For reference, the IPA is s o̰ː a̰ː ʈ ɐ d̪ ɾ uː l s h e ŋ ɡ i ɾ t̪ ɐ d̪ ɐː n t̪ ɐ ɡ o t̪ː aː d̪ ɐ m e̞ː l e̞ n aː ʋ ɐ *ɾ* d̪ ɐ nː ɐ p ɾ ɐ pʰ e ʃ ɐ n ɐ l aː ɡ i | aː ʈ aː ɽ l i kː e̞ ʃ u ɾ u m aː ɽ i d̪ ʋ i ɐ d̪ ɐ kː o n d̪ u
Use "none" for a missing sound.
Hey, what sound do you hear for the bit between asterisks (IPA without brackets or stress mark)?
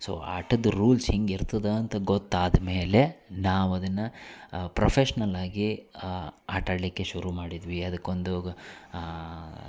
none